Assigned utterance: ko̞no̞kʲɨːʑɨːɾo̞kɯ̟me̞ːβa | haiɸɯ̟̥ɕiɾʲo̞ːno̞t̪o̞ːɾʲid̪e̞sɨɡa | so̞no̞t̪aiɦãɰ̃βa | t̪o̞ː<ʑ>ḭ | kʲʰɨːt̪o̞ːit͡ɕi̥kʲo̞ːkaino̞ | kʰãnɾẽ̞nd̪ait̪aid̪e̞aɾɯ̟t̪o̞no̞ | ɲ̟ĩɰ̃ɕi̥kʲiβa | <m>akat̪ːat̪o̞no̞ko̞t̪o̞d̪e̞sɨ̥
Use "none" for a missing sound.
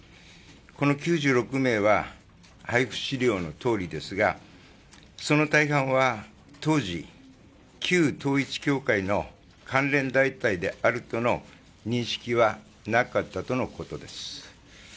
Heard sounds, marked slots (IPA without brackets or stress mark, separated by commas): ʑ, n